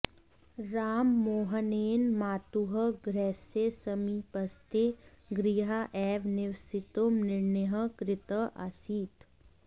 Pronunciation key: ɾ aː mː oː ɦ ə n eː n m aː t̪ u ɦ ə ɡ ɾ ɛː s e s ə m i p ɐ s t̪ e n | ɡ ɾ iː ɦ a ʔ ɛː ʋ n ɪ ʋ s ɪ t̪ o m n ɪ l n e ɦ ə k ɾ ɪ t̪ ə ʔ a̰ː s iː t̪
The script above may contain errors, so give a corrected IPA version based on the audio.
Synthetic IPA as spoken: ɾ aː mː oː ɦ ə n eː n m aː t̪ u ɦ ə ɡ ɾ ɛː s e s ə m i p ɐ s t̪ e | ɡ ɾ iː ɦ a ʔ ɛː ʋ n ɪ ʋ s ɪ t̪ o m n ɪ ɾ n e ɦ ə k ɾ ɪ t̪ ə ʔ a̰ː s iː t̪